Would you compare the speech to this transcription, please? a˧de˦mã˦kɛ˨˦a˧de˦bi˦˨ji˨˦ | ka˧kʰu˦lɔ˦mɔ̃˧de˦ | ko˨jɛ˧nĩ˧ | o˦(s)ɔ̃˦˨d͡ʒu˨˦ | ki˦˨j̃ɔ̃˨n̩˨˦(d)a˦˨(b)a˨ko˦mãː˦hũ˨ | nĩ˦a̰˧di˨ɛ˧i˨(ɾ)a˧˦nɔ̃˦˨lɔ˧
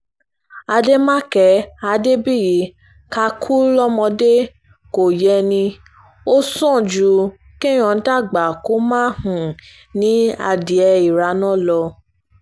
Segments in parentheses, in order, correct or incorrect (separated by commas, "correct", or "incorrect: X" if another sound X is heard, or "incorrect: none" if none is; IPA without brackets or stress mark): correct, incorrect: t, incorrect: ɡ͡b, correct